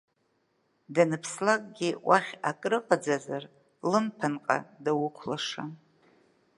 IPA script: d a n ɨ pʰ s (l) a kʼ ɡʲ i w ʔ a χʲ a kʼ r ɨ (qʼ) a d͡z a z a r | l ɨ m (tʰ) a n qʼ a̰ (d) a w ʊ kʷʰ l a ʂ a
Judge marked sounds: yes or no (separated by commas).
yes, yes, no, yes